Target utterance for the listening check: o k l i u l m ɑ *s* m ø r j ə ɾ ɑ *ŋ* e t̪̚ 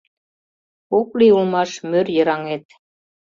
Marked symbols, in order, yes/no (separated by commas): no, yes